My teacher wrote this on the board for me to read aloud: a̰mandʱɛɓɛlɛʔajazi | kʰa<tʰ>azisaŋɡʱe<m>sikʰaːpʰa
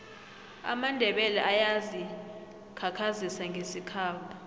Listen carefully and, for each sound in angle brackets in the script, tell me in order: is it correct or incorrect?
incorrect, incorrect

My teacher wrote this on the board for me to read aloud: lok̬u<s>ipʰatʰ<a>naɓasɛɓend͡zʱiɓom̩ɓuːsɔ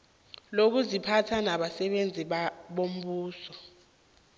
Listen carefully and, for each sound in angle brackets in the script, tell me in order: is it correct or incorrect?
incorrect, correct

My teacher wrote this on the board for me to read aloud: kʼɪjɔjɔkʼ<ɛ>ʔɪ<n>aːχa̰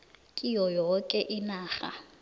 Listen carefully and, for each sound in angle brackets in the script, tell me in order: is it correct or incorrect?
correct, correct

